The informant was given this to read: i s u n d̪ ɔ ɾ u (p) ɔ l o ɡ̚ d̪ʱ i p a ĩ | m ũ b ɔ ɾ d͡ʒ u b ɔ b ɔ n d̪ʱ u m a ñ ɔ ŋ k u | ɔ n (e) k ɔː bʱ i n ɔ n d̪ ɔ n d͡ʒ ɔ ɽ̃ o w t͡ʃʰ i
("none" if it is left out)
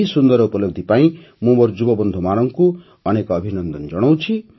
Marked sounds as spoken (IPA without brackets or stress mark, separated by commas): p, e